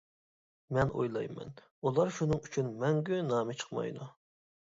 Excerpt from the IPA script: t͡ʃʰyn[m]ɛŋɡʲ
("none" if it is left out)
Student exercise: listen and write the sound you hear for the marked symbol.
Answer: m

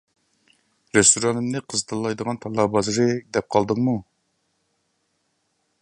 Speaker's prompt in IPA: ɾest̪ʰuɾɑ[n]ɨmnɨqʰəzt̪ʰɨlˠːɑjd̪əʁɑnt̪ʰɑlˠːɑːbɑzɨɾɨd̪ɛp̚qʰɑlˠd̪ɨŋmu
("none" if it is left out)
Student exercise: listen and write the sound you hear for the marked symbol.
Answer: n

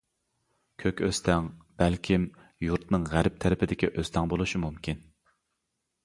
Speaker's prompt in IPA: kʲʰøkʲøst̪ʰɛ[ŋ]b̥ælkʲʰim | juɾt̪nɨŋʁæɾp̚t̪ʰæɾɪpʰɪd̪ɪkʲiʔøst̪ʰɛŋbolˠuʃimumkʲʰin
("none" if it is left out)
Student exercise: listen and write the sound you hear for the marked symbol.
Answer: ŋ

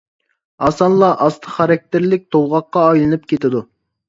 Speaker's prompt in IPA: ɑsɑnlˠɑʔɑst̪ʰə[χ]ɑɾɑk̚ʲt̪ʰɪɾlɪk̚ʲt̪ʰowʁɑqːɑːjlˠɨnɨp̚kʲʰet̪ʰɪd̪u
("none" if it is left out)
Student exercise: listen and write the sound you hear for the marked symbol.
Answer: χ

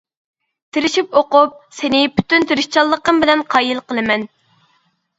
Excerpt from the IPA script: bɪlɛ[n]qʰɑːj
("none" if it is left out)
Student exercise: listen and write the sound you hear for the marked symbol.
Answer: n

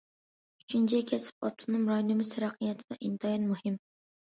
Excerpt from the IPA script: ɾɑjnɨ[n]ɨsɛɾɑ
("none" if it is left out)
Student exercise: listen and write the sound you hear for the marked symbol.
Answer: m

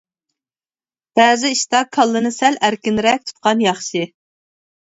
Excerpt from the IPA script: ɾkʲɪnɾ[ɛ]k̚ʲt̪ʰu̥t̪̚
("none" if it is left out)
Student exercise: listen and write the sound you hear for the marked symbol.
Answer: ɛ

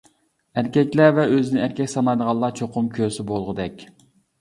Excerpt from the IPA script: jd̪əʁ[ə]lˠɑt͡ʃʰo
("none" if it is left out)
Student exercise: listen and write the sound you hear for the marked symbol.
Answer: ɑ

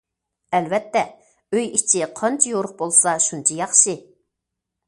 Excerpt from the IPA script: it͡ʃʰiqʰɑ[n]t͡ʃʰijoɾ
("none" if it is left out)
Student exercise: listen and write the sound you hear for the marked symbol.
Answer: n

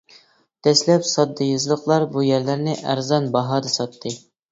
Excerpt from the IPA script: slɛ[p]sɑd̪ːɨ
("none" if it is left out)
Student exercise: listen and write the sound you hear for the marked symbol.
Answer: p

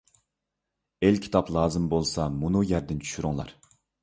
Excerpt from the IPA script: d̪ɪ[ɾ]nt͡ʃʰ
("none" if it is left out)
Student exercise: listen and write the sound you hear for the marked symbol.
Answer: none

